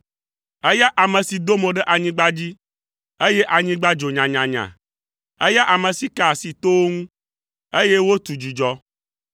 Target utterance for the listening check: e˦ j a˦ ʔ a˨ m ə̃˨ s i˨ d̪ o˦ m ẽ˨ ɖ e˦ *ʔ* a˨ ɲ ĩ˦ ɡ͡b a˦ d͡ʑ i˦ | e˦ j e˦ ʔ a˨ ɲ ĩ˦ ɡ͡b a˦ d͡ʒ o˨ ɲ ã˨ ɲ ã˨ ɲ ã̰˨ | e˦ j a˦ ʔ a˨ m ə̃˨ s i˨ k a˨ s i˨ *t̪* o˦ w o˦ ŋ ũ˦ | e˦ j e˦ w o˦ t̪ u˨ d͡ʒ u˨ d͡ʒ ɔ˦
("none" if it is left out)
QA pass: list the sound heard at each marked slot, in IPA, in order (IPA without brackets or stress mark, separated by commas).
ʔ, t̪